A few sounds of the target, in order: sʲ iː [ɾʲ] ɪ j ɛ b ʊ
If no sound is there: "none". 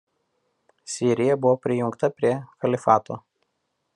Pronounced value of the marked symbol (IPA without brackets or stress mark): ɾʲ